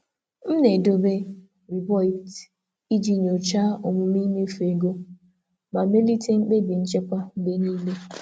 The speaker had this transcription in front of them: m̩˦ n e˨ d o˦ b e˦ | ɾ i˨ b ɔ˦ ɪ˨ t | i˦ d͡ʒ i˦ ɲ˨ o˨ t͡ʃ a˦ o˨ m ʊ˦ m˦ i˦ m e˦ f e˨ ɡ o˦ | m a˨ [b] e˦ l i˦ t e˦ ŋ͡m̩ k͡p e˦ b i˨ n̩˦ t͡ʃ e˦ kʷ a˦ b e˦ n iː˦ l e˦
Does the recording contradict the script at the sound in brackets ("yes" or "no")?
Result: yes